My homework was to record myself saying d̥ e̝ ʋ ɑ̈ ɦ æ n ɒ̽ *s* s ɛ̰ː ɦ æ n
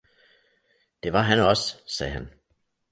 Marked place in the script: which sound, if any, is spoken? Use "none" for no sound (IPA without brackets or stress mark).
s